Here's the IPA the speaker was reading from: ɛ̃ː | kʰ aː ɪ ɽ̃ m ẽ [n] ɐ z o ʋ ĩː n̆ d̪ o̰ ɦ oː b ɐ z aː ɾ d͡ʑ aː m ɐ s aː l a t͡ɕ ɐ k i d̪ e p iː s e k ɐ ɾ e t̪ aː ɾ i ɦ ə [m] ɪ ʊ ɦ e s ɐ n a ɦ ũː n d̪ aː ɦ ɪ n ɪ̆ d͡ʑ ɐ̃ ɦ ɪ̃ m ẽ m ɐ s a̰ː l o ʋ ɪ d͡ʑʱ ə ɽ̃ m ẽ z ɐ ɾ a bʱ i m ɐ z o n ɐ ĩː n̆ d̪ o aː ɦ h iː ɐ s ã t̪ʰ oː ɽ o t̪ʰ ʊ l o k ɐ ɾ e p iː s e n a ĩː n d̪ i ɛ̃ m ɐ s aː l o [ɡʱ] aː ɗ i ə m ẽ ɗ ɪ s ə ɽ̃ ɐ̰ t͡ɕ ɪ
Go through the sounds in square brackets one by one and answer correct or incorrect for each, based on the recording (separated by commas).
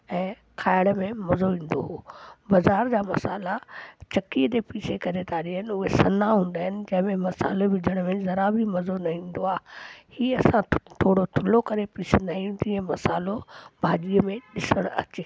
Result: incorrect, incorrect, incorrect